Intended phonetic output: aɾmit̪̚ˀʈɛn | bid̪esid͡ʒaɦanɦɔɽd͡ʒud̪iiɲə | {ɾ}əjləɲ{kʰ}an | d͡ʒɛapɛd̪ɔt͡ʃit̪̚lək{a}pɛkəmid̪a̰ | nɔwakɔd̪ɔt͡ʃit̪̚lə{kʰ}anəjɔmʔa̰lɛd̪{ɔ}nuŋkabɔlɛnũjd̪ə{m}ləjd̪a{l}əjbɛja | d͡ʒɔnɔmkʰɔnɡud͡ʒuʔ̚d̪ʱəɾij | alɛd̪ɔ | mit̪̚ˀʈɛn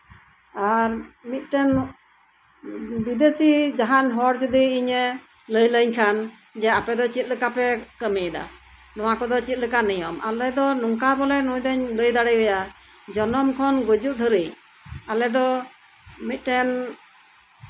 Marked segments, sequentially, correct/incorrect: incorrect: l, correct, correct, incorrect: k, correct, incorrect: ɲ, incorrect: ɽ

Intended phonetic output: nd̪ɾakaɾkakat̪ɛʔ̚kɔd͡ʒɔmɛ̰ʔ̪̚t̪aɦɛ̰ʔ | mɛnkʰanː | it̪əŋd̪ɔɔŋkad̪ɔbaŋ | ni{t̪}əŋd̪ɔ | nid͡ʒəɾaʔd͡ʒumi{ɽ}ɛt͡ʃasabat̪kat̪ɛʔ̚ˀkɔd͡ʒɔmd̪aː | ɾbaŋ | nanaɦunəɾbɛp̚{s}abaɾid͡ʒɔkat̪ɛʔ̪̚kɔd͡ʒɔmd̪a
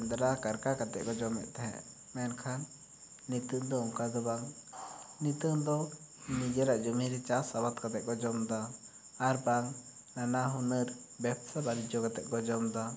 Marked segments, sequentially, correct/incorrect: correct, incorrect: ɾ, correct

